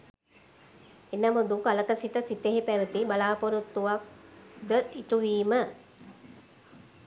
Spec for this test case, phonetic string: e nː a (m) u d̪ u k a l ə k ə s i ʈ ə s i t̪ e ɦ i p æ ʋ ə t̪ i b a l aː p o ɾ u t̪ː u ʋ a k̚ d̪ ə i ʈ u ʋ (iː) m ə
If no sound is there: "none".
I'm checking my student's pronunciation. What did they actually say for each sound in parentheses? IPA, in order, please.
m, iː

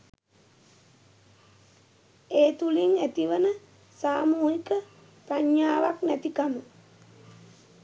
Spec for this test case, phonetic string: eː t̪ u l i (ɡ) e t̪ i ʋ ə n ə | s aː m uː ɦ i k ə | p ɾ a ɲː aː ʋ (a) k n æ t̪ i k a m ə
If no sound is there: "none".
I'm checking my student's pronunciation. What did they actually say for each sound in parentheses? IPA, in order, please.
ŋ, a

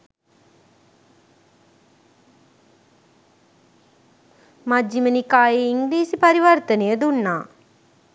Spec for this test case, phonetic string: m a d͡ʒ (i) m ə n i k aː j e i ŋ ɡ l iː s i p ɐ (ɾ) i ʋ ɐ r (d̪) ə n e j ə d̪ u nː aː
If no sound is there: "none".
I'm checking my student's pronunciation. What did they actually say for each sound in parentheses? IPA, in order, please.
i, ɾ, t̪

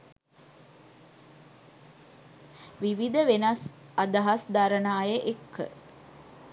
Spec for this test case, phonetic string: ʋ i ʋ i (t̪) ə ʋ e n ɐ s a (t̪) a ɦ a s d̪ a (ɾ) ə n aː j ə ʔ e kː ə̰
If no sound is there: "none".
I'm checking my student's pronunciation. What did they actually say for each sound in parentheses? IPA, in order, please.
d̪, d̪, ɾ

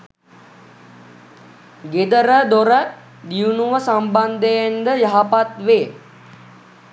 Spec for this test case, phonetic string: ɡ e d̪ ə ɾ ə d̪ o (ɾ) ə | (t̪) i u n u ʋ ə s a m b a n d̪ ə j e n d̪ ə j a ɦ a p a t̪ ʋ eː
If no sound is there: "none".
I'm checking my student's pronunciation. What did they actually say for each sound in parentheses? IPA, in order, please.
ɾ, d̪

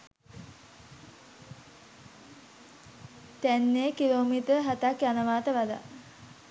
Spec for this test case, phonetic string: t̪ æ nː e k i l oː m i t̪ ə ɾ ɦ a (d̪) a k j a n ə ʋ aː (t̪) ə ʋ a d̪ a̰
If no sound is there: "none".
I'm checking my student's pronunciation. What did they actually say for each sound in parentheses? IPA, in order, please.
t̪, t̪

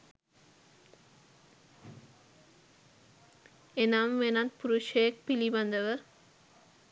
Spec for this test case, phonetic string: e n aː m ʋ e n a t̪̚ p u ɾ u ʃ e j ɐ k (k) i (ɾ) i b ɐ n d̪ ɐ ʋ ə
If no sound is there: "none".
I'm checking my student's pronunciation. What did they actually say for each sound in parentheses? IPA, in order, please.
p, l

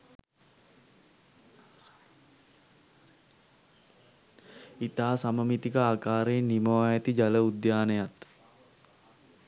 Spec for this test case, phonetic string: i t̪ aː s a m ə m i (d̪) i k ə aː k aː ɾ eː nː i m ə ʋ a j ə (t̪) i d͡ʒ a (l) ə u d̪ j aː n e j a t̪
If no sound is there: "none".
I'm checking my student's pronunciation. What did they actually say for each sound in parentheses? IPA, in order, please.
t̪, t̪, l

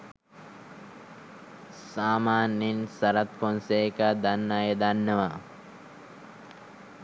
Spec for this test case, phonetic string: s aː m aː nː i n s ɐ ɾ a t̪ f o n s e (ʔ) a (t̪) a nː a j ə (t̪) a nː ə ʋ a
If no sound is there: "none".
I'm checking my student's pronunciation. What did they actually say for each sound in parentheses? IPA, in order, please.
k, d̪, d̪

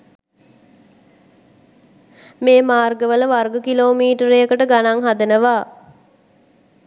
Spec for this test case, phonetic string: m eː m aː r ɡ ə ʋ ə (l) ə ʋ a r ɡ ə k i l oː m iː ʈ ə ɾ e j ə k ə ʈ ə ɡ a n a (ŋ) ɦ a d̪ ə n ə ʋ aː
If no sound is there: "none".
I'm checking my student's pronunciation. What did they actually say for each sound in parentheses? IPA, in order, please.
l, ŋ

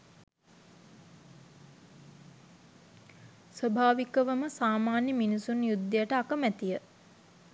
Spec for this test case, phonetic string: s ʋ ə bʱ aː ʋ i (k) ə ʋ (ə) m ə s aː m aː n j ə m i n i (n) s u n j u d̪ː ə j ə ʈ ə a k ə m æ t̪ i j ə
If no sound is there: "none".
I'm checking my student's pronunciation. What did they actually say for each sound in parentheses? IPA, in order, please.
k, ə, none

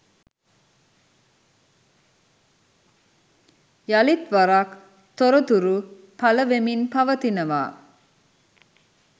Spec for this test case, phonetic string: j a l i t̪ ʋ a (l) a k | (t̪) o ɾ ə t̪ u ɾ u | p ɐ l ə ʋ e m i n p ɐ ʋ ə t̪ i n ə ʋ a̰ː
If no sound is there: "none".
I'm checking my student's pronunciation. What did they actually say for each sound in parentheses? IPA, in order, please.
ɾ, t̪

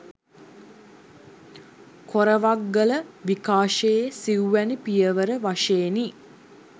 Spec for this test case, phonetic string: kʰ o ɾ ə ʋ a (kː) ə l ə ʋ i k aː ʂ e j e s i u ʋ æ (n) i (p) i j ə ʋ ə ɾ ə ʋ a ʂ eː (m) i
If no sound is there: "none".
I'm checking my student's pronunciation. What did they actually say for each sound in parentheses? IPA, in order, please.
ɡː, n, p, n

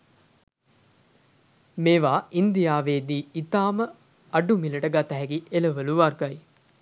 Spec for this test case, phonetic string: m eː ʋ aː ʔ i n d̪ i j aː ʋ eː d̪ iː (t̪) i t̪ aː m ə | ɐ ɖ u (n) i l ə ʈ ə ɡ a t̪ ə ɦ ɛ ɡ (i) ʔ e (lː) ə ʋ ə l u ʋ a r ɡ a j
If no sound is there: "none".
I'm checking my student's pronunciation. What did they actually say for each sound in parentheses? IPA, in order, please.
none, m, i, l

